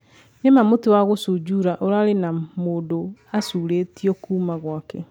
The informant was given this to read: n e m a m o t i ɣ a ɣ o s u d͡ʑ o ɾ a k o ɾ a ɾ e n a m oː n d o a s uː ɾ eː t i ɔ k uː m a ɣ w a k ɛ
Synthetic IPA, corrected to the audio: n e m a m o t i w a ɣ o s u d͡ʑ u ɾ a ʔ o ɾ a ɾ e n a m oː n d o a s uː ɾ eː t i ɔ k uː m a ɣ w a k ɛ